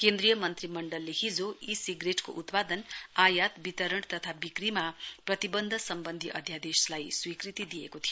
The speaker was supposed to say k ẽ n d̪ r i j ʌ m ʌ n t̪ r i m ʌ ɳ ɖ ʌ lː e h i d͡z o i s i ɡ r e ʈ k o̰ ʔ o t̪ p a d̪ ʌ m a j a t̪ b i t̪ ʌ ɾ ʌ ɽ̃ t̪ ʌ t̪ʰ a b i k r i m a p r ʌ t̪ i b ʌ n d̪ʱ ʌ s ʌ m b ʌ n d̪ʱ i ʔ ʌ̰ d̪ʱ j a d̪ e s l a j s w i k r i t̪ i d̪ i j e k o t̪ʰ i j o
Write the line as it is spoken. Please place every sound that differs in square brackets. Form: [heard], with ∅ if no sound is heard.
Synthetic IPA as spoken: k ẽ n d̪ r i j ʌ m ʌ n t̪ r i m ʌ ɳ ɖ ʌ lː e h i d͡z o i s i ɡ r e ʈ k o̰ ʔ [u] t̪ p a d̪ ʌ [n] a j a t̪ b i t̪ ʌ ɾ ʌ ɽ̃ t̪ ʌ t̪ʰ a b i k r i m a p r ʌ t̪ i b ʌ n d̪ʱ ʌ s ʌ m b ʌ n d̪ʱ i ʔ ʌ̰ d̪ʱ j a d̪ e s l a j s w i k r i t̪ i d̪ i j e k o t̪ʰ i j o